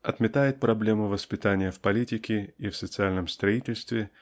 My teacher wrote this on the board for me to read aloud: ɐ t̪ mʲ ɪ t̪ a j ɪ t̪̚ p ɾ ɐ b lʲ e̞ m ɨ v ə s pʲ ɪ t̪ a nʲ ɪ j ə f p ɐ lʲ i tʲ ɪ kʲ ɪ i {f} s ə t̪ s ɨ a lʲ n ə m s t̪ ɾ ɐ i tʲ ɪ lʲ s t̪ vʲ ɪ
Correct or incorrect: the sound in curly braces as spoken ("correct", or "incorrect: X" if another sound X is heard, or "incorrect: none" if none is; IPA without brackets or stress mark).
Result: correct